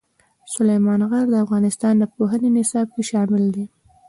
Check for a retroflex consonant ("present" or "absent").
absent